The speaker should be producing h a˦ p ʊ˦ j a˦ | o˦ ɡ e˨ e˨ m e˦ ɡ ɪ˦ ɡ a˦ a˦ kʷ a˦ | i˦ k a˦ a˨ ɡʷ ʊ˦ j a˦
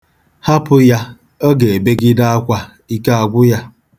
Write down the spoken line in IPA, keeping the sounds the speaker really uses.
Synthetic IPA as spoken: h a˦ p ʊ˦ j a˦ | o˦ ɡ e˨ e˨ b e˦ ɡ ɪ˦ d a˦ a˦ kʷ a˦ | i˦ k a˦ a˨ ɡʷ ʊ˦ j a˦